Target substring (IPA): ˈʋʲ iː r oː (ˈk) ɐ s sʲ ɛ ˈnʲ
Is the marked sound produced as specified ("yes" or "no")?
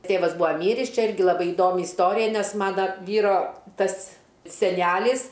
no